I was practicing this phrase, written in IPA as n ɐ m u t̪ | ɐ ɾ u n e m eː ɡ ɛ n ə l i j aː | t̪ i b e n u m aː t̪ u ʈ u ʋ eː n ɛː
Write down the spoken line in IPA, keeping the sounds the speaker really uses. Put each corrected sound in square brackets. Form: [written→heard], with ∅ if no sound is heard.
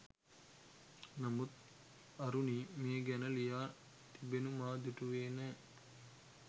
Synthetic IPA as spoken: n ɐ m u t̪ | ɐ ɾ u n [e→i] m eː ɡ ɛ n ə l i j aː | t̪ i b e n u m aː [t̪→d̪] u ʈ u ʋ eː n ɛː